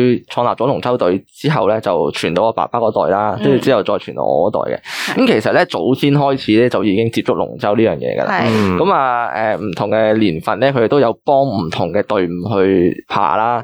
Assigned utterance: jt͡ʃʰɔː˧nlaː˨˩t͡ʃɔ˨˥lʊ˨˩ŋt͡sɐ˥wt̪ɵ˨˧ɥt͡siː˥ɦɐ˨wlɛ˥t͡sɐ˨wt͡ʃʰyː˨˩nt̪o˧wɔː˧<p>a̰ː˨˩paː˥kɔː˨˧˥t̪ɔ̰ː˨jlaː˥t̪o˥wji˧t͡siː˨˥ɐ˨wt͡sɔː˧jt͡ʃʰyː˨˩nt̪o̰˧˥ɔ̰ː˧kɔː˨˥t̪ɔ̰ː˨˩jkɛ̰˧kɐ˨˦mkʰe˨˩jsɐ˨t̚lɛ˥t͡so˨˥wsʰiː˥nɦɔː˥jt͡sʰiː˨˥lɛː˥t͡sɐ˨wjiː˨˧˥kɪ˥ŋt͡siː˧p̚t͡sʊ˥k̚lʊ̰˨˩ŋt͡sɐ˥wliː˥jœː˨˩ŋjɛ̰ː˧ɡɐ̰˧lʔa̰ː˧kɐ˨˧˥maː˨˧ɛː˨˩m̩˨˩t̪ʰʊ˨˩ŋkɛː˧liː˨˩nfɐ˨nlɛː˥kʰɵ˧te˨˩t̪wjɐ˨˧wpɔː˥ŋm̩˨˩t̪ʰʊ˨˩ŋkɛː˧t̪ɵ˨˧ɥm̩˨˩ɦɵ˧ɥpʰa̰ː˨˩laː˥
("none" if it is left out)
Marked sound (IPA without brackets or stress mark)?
p